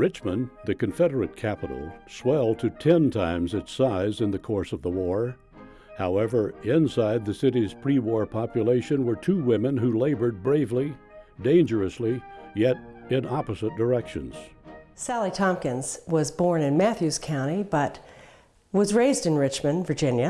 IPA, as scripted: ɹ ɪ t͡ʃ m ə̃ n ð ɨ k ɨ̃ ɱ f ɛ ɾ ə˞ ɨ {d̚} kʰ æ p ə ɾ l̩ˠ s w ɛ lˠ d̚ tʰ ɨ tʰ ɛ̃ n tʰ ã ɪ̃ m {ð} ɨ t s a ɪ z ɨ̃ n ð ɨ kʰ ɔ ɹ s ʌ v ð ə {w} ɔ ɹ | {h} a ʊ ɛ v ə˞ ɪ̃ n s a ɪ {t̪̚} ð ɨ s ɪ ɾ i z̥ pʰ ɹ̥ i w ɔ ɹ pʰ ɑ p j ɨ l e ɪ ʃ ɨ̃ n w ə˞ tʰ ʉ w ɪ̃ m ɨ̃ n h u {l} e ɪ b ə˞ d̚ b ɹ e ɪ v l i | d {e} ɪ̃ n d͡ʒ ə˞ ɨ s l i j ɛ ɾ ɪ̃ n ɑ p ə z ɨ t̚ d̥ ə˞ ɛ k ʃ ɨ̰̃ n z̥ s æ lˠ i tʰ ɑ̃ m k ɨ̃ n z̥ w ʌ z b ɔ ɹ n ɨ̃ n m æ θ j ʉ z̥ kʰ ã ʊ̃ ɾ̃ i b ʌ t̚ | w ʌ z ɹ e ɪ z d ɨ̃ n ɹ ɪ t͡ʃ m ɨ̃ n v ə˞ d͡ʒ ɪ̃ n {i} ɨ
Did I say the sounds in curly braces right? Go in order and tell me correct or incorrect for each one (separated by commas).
incorrect, incorrect, correct, correct, incorrect, correct, incorrect, incorrect